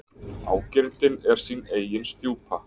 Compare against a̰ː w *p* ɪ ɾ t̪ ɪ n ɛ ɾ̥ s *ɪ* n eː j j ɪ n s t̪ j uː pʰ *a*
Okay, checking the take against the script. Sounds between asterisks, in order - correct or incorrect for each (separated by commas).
incorrect, incorrect, correct